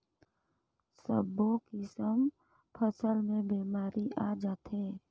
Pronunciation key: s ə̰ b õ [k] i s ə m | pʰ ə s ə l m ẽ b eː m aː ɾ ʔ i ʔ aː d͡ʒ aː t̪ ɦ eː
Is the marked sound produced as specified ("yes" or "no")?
yes